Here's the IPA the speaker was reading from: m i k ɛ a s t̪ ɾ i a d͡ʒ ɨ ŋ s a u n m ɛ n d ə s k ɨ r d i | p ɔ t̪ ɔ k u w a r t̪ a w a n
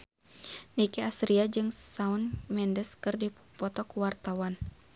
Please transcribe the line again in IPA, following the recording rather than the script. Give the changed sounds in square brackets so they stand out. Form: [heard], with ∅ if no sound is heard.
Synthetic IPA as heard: [n] i k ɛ a s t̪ ɾ i a d͡ʒ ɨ ŋ s a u n m ɛ n d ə s k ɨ r d i | p ɔ t̪ ɔ k u w a r t̪ a w a n